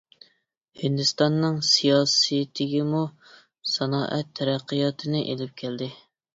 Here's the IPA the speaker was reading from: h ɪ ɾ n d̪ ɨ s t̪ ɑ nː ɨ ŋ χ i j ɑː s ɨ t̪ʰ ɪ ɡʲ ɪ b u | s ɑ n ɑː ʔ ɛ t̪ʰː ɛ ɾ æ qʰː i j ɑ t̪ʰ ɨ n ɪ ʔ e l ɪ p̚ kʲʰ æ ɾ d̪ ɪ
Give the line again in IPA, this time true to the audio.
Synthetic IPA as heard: h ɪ n d̪ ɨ s t̪ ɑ nː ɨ ŋ s i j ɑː s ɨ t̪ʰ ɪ ɡʲ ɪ m u | s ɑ n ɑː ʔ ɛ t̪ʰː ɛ ɾ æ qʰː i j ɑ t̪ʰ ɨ n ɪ ʔ e l ɪ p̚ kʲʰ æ l d̪ ɪ

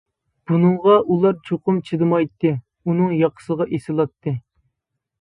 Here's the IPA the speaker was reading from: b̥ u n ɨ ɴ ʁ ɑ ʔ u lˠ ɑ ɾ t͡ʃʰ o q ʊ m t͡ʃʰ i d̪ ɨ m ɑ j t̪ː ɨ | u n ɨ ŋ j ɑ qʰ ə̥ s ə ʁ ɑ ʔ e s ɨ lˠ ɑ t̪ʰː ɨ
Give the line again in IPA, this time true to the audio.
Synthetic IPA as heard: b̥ u n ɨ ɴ ʁ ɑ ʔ u lˠ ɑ ɾ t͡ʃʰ o q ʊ m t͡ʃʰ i d̪ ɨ m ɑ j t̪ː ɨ | u n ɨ ŋ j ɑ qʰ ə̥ s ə ʁ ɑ ʔ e s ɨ lˠ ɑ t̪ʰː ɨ

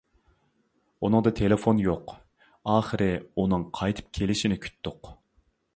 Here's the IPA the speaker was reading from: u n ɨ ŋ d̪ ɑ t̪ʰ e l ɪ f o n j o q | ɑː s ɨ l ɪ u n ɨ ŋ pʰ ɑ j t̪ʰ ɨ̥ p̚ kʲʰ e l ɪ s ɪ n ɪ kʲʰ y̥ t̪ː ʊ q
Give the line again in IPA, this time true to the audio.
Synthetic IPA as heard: u n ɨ ŋ d̪ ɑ t̪ʰ e l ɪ f o n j o q | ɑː χ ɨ ɾ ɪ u n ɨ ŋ qʰ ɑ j t̪ʰ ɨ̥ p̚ kʲʰ e l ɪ ʃ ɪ n ɪ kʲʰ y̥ t̪ː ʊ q

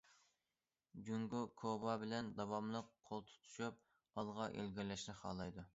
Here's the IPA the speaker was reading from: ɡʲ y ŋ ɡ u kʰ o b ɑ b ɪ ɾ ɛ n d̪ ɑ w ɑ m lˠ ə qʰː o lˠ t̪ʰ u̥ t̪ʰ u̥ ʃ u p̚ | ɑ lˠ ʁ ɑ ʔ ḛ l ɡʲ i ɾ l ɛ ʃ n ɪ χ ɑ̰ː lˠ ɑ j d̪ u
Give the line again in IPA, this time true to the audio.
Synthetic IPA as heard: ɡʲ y ŋ ɡ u kʰ o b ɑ b ɪ l ɛ n d̪ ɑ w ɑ m lˠ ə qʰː o lˠ t̪ʰ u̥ t̪ʰ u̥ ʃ u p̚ | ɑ lˠ ʁ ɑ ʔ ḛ l ɡʲ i ɾ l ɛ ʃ n ɪ χ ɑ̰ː lˠ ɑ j d̪ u

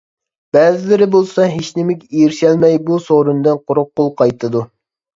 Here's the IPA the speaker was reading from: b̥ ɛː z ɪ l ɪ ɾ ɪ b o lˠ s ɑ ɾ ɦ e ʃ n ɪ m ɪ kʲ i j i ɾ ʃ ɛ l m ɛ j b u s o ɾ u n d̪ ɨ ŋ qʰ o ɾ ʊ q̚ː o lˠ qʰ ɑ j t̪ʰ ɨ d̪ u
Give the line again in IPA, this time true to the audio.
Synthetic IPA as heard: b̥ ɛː z ɪ l ɪ ɾ ɪ b o lˠ s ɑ ɦ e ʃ n ɪ m ɪ kʲ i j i ɾ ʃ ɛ l m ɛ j b u s o ɾ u n d̪ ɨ n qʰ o ɾ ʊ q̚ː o lˠ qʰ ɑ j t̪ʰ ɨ d̪ u

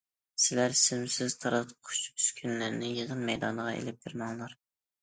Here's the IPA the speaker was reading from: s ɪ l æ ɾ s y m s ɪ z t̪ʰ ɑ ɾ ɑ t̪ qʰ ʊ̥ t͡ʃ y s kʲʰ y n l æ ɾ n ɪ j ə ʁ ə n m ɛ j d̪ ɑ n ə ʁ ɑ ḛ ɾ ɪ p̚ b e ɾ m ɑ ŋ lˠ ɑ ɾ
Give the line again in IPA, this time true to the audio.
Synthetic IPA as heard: s ɪ l æ ɾ s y m s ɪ z t̪ʰ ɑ ɾ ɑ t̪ qʰ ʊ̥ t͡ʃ y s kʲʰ y n l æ ɾ n ɪ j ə ʁ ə n m ɛ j d̪ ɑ n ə ʁ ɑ ḛ l ɪ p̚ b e ɾ m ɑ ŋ lˠ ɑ ɾ

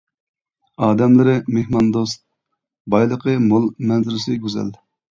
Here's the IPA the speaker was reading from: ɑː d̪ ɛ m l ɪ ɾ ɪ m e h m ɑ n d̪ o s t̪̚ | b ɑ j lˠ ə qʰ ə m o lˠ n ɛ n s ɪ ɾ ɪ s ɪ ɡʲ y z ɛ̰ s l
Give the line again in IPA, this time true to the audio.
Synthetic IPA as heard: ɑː d̪ ɛ m l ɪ ɾ ɪ m e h m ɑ n d̪ o s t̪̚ | b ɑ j lˠ ə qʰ ə m o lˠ m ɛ n z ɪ ɾ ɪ s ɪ ɡʲ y z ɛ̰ l

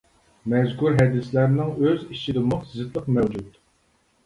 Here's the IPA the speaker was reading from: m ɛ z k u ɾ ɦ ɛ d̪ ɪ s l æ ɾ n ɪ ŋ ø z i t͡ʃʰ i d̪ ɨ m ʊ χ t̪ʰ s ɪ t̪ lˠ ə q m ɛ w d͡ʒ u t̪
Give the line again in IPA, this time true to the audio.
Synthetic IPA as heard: m ɛ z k u ɾ ɦ ɛ d̪ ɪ s l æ ɾ n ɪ ŋ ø z i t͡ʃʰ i d̪ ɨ m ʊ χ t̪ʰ z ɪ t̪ lˠ ə q m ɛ w d͡ʒ u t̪

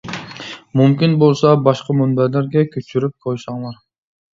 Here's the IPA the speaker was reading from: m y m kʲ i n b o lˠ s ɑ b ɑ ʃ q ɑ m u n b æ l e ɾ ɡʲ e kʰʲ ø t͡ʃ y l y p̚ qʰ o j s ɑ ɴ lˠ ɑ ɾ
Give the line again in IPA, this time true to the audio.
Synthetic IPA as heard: m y m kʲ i n b o lˠ s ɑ b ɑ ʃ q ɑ m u n b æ l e ɾ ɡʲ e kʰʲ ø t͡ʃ y ɾ y p̚ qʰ o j s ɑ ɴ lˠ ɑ ɾ

